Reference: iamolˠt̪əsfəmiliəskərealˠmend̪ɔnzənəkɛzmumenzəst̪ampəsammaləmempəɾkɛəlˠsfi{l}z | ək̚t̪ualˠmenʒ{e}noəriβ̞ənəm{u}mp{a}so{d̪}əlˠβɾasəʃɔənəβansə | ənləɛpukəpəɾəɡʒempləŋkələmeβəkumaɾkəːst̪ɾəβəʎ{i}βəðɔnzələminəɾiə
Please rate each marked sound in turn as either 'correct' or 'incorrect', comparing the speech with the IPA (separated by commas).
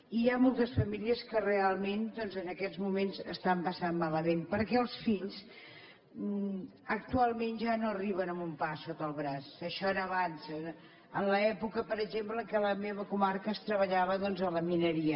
incorrect, incorrect, correct, correct, incorrect, incorrect